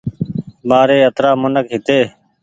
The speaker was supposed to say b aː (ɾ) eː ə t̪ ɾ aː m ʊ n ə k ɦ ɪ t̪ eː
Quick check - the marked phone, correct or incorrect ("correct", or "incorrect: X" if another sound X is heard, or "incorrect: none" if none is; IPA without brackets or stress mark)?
correct